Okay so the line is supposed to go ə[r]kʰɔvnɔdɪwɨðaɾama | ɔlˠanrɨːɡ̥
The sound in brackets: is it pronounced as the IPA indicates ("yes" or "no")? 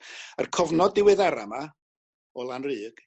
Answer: yes